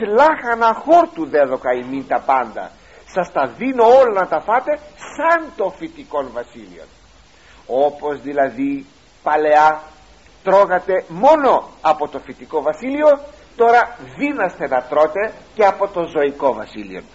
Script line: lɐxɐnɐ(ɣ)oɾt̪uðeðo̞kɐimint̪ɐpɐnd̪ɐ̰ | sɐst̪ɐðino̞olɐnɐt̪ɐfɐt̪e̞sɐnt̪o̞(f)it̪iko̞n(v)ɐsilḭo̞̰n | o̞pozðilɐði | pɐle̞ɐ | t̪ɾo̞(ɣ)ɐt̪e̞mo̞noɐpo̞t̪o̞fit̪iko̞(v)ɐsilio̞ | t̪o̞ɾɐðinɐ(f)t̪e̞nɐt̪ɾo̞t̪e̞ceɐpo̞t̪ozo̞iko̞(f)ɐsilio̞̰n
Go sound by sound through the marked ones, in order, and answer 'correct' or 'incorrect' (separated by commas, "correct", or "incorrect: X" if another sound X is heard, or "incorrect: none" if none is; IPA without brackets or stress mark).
incorrect: x, correct, correct, correct, correct, incorrect: s, incorrect: v